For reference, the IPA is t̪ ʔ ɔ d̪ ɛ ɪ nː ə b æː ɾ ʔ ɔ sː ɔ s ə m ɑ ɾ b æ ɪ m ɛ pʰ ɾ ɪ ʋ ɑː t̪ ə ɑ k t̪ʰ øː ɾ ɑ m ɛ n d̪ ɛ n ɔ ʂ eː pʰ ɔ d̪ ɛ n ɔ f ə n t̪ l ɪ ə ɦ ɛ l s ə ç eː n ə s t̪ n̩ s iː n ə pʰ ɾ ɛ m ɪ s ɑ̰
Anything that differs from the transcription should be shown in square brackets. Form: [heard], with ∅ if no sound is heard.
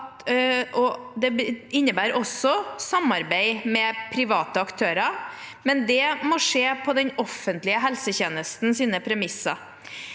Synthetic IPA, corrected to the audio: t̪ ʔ ɔ d̪ ɛ ɪ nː ə b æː ɾ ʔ ɔ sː ɔ s [ɑ] m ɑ ɾ b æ ɪ m ɛ pʰ ɾ ɪ ʋ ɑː t̪ ə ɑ k t̪ʰ øː ɾ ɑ m ɛ n d̪ ɛ [m] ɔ ʂ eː pʰ ɔ d̪ ɛ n ɔ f ə n t̪ l ɪ ə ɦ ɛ l s ə ç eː n ə s t̪ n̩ s iː n ə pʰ ɾ ɛ m ɪ s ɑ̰